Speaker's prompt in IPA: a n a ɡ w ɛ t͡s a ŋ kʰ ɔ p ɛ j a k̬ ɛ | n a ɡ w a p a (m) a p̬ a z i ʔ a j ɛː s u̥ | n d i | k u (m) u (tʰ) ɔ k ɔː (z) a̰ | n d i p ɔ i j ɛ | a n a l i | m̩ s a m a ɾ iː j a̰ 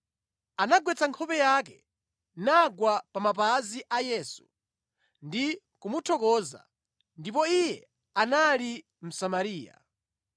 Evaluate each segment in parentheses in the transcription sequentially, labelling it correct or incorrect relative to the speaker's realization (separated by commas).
correct, correct, correct, correct